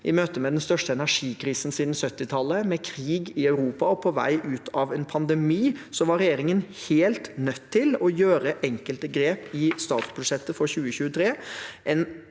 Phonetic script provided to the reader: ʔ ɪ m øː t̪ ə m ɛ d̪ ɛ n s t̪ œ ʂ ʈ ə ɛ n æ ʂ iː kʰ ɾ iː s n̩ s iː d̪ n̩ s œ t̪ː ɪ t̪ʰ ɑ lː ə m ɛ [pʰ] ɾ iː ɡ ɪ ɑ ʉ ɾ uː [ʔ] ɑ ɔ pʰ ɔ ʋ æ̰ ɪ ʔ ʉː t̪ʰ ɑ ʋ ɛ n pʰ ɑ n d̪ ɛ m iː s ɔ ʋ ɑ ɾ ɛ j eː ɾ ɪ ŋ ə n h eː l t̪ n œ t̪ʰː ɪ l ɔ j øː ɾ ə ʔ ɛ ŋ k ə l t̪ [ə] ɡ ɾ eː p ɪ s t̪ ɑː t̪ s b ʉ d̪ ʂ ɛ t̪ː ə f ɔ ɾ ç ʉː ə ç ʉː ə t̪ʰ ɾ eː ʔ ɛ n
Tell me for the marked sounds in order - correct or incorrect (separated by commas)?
incorrect, incorrect, correct